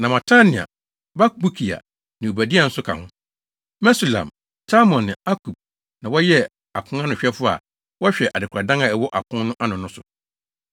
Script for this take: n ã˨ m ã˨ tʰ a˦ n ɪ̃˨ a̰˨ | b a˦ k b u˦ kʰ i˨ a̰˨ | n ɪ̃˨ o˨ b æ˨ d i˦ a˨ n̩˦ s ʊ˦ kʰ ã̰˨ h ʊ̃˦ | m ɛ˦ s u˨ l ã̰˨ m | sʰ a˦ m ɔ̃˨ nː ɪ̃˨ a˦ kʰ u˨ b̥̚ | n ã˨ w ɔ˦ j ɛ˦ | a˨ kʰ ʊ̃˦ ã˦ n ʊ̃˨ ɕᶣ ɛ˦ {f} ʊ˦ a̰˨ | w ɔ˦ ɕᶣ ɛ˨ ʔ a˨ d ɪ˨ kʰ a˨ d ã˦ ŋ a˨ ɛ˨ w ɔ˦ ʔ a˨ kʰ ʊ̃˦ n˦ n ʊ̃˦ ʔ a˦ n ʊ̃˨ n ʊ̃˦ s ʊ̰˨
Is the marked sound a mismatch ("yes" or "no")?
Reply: no